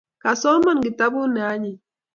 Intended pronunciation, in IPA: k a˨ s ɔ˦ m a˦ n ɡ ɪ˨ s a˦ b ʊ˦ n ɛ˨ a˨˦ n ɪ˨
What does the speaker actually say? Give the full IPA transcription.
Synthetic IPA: k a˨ s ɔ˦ m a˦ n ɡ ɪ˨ t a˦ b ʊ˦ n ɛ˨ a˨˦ ɲ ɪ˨